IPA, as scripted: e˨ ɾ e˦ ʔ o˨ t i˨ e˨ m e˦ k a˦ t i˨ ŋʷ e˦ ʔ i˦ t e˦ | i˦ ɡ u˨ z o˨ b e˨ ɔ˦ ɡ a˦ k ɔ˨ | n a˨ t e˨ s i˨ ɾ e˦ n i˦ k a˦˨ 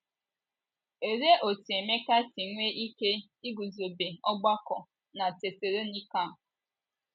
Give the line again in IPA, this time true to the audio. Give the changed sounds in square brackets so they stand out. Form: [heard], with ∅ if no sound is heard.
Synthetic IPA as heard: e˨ ɾ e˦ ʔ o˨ t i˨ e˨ m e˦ k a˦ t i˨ ŋʷ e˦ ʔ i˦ [k] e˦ | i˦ ɡ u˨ z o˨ b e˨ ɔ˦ [ɡ͡b] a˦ k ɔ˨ | n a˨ t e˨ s [e˨] ɾ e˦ n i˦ k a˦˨